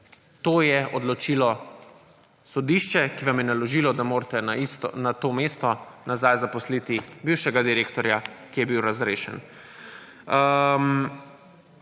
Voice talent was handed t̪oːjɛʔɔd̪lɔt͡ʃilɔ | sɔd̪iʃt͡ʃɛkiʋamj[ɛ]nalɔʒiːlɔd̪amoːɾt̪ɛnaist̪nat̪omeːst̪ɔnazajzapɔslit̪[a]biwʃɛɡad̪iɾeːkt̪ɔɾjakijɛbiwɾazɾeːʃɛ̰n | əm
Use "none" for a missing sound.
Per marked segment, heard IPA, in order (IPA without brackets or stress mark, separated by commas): ɛ, i